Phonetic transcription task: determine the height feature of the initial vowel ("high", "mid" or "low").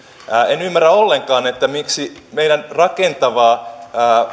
mid